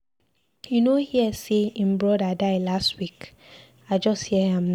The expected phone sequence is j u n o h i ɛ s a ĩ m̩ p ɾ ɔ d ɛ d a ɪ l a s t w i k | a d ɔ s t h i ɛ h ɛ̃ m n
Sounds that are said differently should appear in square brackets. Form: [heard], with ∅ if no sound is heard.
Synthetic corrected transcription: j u n o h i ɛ s [e] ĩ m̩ [b] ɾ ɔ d [a] d a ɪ l a s t w i k | a [d͡ʒ] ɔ s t h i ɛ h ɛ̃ m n